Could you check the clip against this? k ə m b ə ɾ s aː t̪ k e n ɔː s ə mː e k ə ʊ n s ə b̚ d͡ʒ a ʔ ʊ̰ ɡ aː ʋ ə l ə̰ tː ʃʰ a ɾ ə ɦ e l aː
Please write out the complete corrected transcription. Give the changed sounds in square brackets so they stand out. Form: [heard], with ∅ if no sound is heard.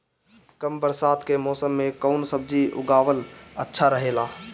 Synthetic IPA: k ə m b ə ɾ s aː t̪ k e [m] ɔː s ə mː e k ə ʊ n s ə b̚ d͡ʒ [i] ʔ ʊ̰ ɡ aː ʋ ə l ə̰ tː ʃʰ a ɾ ə ɦ e l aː